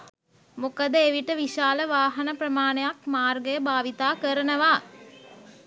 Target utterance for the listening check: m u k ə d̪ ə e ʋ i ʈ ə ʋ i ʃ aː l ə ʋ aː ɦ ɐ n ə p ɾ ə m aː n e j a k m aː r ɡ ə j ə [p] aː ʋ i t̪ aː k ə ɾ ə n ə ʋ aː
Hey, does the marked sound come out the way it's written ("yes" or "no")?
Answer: no